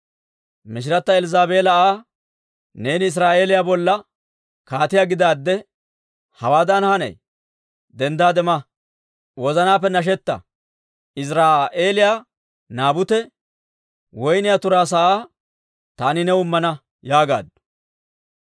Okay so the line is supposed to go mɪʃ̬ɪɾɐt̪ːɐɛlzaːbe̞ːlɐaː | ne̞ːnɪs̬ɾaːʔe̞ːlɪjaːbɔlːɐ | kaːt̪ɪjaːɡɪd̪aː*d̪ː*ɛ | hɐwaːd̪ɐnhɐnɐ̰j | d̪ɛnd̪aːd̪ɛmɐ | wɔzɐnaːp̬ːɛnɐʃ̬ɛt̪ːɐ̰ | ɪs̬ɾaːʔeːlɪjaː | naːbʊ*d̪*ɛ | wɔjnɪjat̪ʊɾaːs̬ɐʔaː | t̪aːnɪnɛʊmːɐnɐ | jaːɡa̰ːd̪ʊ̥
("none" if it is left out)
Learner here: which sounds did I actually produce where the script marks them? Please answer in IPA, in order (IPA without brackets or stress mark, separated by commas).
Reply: d̪ː, t̪